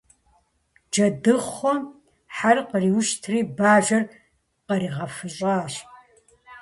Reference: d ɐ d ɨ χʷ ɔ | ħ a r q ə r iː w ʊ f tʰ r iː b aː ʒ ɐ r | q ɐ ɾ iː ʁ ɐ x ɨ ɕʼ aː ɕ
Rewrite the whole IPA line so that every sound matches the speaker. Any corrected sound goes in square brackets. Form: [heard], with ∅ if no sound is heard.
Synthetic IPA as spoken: [d͡ʒ] ɐ d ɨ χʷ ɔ | ħ a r q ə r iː w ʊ [ʃ] tʰ r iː b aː ʒ ɐ r | q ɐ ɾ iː ʁ ɐ [f] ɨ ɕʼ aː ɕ